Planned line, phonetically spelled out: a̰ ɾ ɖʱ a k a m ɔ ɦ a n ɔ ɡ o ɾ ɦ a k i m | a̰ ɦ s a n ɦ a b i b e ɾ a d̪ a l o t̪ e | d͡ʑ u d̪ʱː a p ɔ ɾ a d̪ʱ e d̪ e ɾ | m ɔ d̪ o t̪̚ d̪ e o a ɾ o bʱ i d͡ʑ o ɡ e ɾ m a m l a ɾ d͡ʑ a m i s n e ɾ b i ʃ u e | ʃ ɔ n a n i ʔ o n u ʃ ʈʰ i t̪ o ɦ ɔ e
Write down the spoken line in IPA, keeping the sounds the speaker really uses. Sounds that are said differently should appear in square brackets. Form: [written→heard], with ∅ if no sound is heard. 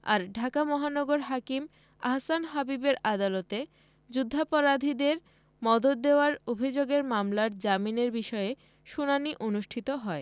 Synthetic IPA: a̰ ɾ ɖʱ a k a m ɔ ɦ a n ɔ ɡ o ɾ ɦ a k i m | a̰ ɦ s a n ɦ a b i b e ɾ a d̪ a l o t̪ e | d͡ʑ u d̪ʱː a p ɔ ɾ a d̪ʱ [e→i] d̪ e ɾ | m ɔ d̪ o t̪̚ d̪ e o a ɾ o bʱ i d͡ʑ o ɡ e ɾ m a m l a ɾ d͡ʑ a m i [s→∅] n e ɾ b i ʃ [u→ɔ] e | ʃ [ɔ→u] n a n i ʔ o n u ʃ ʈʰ i t̪ o ɦ ɔ e